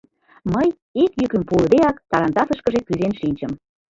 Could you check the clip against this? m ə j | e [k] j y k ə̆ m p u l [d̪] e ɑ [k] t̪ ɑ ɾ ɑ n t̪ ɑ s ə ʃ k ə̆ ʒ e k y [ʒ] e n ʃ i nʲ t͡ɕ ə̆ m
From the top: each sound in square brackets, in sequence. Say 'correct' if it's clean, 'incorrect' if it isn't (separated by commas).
correct, correct, correct, incorrect